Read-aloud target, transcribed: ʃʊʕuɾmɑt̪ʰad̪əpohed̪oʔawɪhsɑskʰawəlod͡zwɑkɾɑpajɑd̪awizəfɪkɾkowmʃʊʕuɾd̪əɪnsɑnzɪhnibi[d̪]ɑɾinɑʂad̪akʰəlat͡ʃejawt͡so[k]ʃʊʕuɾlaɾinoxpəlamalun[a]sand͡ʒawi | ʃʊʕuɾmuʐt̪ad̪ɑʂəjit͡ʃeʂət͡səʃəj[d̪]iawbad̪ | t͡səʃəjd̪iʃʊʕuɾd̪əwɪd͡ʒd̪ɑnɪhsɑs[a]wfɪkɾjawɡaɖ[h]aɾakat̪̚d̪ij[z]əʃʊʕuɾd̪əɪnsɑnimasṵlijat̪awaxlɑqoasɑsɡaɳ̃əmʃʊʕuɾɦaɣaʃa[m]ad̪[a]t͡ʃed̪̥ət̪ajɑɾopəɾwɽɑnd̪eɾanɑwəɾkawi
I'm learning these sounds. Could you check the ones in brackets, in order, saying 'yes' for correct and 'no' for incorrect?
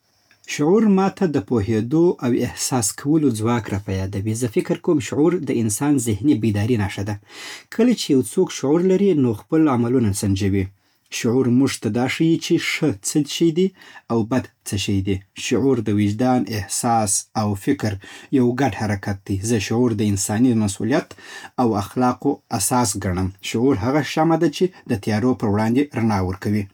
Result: yes, yes, yes, yes, yes, yes, yes, yes, yes

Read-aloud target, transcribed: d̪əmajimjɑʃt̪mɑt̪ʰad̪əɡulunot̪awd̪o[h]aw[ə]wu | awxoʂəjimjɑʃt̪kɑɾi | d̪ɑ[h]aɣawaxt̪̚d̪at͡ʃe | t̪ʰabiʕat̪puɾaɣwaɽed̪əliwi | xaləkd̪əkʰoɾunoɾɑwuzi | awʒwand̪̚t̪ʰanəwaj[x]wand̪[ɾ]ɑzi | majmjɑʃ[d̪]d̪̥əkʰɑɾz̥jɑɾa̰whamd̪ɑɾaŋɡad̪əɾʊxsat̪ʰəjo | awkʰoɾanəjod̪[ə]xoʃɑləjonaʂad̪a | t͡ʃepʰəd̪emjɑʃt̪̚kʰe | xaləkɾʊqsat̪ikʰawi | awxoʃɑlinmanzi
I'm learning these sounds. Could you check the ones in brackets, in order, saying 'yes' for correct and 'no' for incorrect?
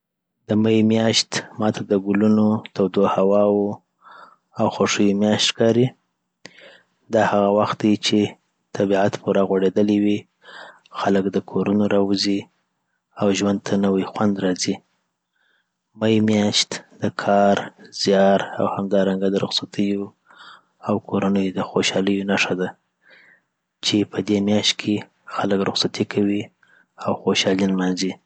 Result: yes, no, yes, yes, yes, no, yes

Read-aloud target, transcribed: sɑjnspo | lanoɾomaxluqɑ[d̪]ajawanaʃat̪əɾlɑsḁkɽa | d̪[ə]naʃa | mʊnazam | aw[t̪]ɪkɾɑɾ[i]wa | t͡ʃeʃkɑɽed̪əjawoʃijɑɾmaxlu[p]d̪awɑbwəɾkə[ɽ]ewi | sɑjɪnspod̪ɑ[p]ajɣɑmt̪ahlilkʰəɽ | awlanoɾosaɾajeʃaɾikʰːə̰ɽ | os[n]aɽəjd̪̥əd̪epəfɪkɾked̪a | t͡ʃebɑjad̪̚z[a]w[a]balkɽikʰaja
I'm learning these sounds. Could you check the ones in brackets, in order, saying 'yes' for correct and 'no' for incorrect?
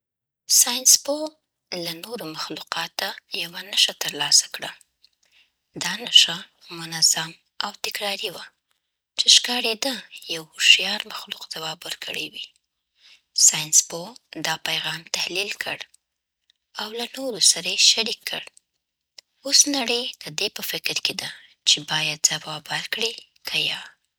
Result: no, no, yes, yes, no, yes, yes, yes, yes, no

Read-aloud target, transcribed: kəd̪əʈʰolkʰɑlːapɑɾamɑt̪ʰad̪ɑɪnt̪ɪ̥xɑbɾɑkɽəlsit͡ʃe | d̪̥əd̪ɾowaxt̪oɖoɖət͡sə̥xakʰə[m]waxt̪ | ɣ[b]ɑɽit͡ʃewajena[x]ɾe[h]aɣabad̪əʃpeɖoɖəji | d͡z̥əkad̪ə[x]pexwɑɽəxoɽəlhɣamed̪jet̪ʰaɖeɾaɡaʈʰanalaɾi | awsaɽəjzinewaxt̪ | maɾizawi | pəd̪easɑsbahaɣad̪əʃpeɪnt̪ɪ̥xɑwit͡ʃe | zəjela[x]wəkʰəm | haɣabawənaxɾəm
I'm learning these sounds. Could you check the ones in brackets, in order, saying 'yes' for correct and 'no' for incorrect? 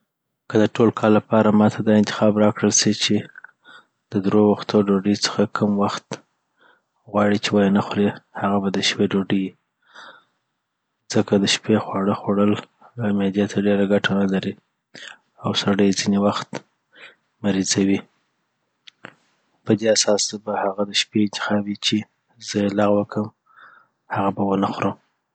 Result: yes, no, yes, yes, no, no

